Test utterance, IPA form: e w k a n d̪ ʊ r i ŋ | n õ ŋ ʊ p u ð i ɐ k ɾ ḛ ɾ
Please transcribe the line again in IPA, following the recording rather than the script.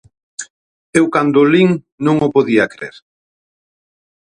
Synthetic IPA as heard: e w k a n d̪ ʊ l i ŋ | n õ ŋ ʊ p o ð i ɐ k ɾ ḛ ɾ

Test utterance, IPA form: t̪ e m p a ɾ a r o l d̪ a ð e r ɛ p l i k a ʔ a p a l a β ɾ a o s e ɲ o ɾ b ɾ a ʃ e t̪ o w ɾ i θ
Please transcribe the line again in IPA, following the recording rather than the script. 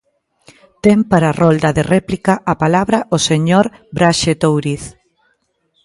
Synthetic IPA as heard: t̪ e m p a ɾ a r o l d̪ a ð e r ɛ p l i k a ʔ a p a l a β ɾ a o s e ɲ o ɾ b ɾ a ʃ e t̪ o w ɾ i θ

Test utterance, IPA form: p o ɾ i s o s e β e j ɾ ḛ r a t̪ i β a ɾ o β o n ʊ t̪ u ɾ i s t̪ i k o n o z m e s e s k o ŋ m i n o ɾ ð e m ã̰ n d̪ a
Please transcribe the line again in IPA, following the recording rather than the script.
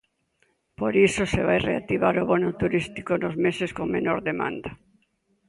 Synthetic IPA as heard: p o ɾ i s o s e β a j r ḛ a t̪ i β a ɾ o β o n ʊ t̪ u ɾ i s t̪ i k o n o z m e s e s k o ŋ m e n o ɾ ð e m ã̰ n d̪ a

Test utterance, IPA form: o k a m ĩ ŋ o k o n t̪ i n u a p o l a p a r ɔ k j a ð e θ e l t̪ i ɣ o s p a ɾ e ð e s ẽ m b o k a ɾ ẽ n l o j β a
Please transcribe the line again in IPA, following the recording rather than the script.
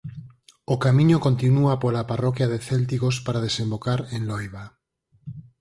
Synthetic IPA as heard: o k a m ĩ ɲ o k o n t̪ i n u a p o l a p a r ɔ k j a ð e θ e l t̪ i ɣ o s p a ɾ a ð e s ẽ m b o k a ɾ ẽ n l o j β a

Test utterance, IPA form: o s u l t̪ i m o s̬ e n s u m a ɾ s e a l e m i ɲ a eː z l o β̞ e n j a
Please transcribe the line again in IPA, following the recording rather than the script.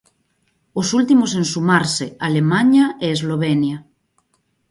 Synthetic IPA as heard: o s u l t̪ i m o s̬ e n s u m a ɾ s e a l e m a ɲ a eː z l o β̞ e n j a

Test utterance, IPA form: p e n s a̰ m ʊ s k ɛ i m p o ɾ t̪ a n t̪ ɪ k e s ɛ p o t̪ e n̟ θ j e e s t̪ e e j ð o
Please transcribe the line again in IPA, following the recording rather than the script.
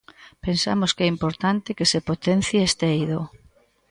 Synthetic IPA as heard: p e n s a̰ m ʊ s k ɛ i m p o ɾ t̪ a n t̪ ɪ k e s e p o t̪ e n̟ θ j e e s t̪ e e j ð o

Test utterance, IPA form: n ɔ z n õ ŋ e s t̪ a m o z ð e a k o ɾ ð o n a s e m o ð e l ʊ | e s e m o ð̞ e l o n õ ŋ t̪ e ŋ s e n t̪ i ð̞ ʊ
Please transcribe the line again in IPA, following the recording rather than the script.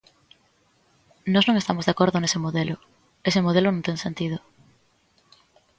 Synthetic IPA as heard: n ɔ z n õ ŋ e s t̪ a m o z ð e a k o ɾ ð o n e s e m o ð e l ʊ | e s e m o ð̞ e l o n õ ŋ t̪ e ŋ s e n t̪ i ð̞ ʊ

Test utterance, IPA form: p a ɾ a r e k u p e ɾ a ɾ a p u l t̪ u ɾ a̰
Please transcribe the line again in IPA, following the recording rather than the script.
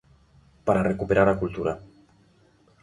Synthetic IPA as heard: p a ɾ a r e k u p e ɾ a ɾ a k u l t̪ u ɾ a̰

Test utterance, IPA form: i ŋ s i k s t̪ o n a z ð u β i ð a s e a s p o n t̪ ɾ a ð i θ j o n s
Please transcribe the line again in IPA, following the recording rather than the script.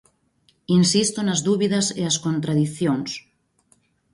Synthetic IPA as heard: i n s i s t̪ o n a z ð u β i ð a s e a s k o n t̪ ɾ a ð i θ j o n s

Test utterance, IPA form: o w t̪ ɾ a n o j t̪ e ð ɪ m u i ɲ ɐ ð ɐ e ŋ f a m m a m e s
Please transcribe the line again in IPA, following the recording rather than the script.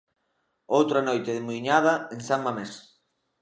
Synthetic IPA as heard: o w t̪ ɾ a n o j t̪ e ð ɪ m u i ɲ a ð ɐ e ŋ s a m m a m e s

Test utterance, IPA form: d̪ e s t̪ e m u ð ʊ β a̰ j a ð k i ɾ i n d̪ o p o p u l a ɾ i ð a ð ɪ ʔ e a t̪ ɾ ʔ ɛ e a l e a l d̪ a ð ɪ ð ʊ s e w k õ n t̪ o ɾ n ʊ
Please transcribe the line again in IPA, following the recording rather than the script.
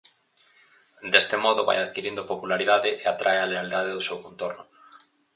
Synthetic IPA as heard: d̪ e s t̪ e m ɔ ð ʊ β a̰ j a ð k i ɾ i n d̪ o p o p u l a ɾ i ð a ð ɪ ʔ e a t̪ ɾ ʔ a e a l e a l d̪ a ð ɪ ð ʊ s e w k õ n t̪ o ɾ n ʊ

